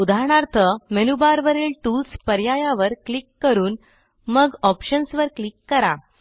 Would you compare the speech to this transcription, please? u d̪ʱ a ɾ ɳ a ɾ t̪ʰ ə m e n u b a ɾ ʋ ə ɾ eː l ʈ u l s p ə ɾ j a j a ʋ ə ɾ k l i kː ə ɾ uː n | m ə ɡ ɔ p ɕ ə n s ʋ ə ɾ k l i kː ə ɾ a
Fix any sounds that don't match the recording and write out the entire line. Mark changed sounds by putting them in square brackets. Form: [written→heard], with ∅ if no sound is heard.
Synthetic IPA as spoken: u d̪ʱ a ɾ ɳ a ɾ t̪ʰ ə m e n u b a ɾ ʋ ə ɾ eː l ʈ u l s p ə ɾ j a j a ʋ ə ɾ k l i kː ə ɾ uː n | m ə ɡ ɔ p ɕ ə n s ʋ ə ɾ k l i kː ə ɾ a